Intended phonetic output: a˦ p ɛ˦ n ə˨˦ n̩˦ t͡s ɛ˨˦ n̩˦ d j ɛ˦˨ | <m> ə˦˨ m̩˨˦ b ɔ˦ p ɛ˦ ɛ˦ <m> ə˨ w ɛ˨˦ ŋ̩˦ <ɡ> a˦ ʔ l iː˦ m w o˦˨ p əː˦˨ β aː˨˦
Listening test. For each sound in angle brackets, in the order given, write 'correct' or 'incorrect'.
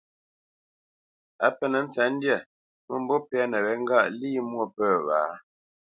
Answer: correct, incorrect: n, correct

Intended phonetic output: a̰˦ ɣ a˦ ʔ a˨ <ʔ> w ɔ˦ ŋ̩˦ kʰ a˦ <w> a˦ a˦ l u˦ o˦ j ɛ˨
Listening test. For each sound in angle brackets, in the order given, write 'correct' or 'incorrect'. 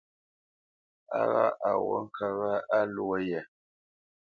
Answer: incorrect: none, incorrect: ɣ

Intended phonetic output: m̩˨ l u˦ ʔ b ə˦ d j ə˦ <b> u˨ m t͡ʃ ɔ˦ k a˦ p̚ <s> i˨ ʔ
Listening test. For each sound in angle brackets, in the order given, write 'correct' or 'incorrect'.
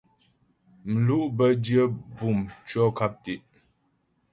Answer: correct, incorrect: t

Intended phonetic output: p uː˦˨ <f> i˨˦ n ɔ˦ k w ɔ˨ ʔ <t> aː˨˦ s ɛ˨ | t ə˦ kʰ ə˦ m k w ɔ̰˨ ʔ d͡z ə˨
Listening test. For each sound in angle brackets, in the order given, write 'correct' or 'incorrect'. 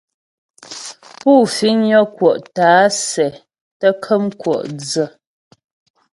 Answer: correct, correct

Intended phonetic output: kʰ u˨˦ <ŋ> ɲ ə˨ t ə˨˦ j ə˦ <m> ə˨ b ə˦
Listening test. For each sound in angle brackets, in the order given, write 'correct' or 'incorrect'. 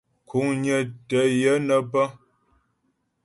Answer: correct, incorrect: n

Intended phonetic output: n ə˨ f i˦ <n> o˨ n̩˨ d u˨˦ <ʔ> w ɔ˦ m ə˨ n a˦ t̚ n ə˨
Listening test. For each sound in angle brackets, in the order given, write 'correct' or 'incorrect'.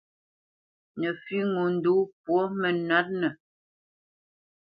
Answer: incorrect: ŋ, incorrect: p

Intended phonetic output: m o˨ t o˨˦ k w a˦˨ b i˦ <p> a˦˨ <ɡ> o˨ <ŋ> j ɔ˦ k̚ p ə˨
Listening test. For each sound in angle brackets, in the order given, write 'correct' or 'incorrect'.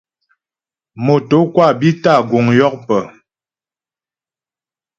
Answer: incorrect: t, correct, correct

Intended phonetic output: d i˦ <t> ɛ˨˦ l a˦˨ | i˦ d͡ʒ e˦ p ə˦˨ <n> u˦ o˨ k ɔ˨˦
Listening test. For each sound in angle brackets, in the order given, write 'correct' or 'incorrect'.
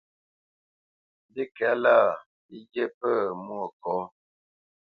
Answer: incorrect: k, incorrect: m

